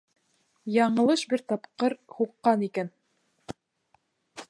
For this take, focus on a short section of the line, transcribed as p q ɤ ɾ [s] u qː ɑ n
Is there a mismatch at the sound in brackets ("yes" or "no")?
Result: yes